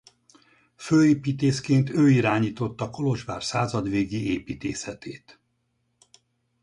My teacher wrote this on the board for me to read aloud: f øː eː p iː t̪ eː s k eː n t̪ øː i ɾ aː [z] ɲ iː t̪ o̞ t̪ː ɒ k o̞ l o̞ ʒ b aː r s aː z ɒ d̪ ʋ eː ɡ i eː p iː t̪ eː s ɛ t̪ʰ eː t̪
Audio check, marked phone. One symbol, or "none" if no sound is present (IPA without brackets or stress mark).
none